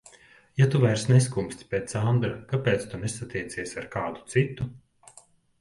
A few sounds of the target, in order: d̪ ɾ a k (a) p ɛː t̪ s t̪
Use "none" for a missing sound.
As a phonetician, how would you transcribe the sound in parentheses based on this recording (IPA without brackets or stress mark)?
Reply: a